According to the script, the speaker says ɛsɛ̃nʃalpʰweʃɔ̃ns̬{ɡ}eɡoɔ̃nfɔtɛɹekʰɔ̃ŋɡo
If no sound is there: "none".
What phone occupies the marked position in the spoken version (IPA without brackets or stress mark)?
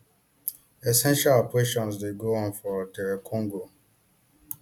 d